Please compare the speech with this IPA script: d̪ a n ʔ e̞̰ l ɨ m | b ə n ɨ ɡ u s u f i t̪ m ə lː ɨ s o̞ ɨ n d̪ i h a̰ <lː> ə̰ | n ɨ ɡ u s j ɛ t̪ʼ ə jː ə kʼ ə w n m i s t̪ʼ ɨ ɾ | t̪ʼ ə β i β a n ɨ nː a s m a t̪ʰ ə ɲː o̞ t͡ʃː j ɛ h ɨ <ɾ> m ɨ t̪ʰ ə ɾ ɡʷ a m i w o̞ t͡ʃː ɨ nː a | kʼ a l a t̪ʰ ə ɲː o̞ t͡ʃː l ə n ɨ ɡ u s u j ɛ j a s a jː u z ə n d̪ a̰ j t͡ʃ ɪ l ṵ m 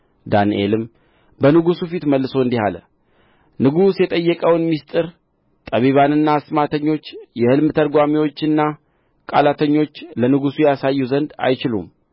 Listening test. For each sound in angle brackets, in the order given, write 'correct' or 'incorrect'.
incorrect: l, incorrect: l

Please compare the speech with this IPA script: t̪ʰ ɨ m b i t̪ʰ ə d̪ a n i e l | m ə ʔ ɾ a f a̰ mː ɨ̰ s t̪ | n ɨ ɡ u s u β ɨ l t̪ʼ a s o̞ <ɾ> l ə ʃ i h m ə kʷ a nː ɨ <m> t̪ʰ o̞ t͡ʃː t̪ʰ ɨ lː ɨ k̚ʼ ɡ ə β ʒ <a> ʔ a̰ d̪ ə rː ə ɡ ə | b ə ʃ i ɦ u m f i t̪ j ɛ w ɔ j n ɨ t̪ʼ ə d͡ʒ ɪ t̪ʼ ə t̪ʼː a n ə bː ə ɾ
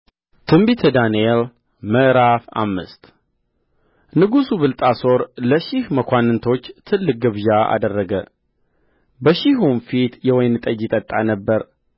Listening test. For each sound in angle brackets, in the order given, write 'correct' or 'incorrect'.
correct, incorrect: n, correct

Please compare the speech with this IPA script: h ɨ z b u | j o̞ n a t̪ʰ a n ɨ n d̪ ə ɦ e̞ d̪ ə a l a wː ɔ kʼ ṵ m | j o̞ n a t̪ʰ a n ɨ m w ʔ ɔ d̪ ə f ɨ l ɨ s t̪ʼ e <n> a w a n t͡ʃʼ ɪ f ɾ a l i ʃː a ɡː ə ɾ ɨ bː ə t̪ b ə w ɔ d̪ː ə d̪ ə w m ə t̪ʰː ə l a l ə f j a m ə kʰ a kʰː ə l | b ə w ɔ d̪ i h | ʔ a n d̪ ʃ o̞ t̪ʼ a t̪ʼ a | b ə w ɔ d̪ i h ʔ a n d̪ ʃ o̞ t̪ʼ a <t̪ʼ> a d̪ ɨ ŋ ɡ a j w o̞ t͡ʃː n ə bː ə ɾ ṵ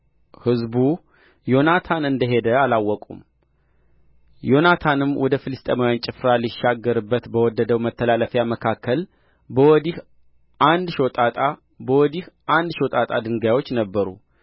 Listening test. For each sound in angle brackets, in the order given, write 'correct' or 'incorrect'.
incorrect: m, correct

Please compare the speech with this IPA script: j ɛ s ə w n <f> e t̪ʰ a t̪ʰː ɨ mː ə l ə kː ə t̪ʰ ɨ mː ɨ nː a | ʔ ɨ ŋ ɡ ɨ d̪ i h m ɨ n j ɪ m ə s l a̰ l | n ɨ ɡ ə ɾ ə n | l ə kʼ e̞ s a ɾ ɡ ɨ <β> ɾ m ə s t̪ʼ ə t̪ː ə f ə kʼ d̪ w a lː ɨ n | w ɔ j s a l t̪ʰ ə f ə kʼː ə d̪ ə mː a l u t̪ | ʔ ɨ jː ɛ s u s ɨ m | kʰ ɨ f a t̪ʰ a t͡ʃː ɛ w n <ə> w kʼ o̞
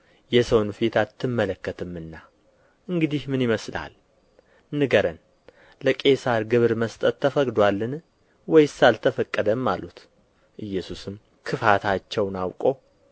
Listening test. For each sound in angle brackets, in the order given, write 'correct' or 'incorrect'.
correct, correct, incorrect: a

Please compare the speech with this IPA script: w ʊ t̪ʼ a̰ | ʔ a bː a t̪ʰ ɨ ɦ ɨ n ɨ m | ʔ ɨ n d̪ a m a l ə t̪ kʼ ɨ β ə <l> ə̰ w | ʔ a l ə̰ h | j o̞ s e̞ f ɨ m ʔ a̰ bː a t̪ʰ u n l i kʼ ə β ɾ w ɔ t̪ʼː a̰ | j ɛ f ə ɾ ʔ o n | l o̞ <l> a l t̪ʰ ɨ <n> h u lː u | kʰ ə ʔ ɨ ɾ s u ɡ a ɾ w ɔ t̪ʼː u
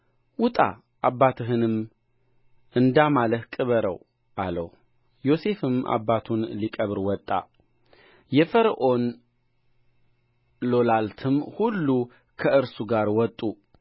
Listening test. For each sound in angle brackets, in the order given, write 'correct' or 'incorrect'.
incorrect: ɾ, correct, incorrect: m

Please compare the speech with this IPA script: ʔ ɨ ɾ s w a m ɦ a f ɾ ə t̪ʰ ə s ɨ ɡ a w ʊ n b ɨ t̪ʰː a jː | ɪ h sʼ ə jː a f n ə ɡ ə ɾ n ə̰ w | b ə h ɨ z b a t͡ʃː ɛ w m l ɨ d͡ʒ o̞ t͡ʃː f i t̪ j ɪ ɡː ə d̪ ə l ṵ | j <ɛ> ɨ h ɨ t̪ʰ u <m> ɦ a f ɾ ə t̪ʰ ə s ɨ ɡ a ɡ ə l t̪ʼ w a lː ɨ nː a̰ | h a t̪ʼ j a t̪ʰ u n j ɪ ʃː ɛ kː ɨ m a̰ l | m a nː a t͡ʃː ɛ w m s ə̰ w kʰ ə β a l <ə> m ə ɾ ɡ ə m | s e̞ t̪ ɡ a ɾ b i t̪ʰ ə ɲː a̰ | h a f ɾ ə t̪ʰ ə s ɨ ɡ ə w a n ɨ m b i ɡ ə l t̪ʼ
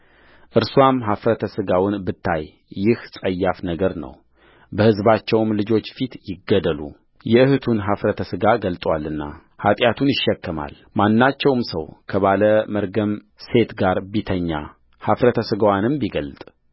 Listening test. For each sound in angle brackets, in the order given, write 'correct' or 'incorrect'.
correct, incorrect: n, correct

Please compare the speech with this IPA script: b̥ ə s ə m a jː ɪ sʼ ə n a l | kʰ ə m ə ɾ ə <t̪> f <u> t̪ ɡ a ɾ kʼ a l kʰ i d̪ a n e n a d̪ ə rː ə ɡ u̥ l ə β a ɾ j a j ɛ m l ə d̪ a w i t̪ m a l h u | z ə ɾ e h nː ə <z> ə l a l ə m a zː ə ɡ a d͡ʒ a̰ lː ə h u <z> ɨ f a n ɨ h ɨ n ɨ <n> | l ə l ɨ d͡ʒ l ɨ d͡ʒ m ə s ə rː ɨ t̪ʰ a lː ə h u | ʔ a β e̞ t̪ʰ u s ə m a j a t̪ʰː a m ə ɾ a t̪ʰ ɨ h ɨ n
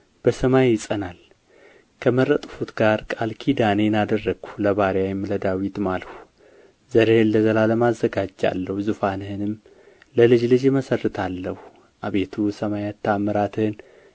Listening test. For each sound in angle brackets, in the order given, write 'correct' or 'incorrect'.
incorrect: t̪ʼ, correct, correct, correct, incorrect: m

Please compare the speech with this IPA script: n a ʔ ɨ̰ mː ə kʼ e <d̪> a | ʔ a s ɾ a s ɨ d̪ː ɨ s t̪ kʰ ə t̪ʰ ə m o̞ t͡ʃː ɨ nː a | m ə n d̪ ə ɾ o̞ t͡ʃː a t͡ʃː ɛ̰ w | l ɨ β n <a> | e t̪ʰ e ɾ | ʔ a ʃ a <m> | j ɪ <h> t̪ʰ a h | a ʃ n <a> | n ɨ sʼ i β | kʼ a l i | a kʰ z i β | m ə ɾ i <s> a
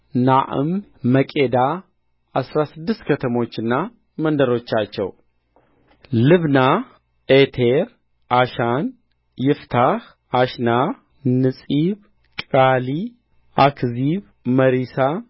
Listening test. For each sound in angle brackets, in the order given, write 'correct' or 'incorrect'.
correct, correct, incorrect: n, incorrect: f, correct, correct

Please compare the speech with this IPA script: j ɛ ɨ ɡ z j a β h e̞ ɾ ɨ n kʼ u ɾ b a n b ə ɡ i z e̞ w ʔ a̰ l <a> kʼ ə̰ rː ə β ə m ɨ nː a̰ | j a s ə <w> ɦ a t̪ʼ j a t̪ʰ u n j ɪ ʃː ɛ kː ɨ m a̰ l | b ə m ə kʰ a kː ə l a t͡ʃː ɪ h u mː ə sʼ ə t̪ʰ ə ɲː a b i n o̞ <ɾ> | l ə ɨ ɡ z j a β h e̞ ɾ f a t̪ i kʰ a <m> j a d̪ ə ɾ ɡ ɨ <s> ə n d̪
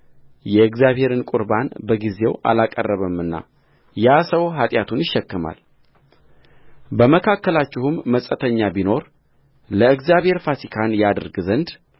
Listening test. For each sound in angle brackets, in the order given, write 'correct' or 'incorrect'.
correct, correct, correct, incorrect: n, incorrect: z

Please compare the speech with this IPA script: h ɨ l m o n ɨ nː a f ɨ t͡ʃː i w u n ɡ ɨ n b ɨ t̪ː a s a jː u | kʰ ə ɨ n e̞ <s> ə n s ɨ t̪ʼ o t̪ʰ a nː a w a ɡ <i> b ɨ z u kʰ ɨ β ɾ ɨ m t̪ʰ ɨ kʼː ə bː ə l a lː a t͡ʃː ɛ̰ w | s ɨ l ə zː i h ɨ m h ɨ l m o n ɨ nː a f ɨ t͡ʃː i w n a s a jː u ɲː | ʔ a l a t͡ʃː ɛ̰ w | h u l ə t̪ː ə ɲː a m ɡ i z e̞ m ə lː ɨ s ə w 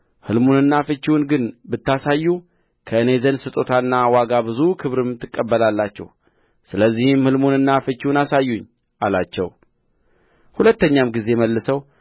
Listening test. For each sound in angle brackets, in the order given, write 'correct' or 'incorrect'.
incorrect: z, incorrect: a

